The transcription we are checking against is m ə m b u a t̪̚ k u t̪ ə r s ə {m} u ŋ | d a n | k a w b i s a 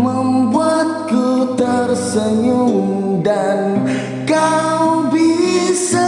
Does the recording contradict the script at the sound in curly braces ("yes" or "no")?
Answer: yes